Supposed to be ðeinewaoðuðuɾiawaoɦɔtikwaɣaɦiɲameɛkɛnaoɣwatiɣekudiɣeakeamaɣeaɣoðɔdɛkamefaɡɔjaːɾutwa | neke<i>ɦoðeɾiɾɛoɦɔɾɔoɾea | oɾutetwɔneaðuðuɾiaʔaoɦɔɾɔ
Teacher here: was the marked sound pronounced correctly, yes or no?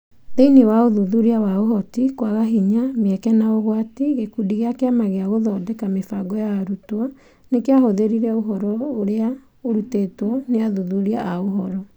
no